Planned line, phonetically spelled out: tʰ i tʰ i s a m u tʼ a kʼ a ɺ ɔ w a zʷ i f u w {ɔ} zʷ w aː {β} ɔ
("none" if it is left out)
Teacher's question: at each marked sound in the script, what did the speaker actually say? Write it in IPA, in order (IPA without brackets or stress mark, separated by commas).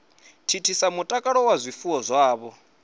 ɔ, β